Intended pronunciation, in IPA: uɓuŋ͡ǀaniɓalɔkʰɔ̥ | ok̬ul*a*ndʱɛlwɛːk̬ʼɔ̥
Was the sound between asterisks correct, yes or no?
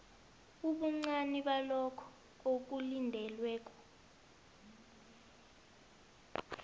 no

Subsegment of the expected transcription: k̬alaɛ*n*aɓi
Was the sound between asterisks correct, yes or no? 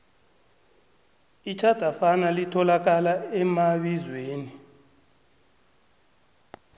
no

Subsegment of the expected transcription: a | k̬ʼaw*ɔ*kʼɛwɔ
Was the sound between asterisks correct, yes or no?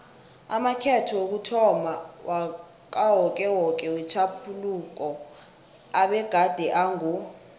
yes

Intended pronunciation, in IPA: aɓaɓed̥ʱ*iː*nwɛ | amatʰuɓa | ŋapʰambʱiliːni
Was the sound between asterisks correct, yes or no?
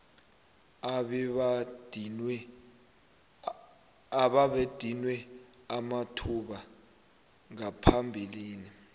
no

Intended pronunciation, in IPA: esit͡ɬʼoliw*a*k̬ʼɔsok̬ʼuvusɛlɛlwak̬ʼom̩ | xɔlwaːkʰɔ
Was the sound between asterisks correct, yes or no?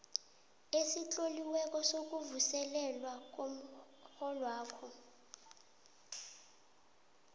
no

